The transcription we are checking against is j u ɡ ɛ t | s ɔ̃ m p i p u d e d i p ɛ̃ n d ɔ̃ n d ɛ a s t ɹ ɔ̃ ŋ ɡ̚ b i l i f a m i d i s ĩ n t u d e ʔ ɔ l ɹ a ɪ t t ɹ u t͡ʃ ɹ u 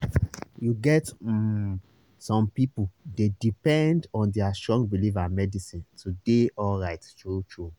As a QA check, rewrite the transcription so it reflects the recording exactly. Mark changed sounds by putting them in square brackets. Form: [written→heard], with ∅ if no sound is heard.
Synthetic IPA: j u ɡ ɛ t | s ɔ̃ m p i p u d e d i p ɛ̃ n d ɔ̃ n d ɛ a s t ɹ ɔ̃ ŋ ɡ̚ b i l i [f→v] a m [i→ɛ] d i s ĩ n t u d e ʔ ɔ l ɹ a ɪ t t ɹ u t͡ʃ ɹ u